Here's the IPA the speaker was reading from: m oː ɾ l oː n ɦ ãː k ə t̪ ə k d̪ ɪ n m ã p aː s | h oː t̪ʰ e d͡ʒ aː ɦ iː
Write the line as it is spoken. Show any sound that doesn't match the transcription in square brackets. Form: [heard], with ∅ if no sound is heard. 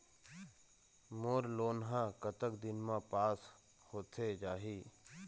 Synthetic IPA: m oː ɾ l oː n ɦ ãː k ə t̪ ə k d̪ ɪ n m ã p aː s | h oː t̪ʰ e d͡ʒ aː ɦ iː